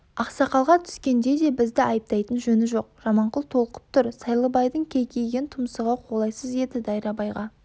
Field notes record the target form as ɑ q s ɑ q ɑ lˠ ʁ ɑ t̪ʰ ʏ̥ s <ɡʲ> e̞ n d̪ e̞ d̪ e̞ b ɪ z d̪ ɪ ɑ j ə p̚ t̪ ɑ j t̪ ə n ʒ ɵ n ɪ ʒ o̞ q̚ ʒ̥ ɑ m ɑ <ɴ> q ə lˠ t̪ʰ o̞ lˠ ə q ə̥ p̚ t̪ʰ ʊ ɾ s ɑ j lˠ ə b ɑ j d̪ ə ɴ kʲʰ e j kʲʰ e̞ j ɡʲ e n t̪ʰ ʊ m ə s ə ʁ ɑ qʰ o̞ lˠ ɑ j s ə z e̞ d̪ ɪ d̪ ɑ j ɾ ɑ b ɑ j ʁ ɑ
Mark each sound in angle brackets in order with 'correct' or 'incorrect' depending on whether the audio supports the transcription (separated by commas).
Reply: incorrect, correct